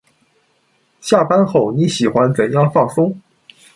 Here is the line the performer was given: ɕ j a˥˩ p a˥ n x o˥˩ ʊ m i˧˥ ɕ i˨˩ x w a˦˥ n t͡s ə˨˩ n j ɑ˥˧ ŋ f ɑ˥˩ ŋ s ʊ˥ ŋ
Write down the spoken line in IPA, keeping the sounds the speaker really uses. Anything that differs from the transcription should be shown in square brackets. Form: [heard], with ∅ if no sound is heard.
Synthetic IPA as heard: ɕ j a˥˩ p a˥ n x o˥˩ ʊ [n] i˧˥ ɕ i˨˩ x w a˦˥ n t͡s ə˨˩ n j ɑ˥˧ ŋ f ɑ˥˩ ŋ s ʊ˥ ŋ